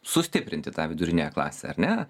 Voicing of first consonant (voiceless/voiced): voiceless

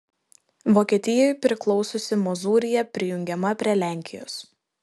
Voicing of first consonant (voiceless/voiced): voiced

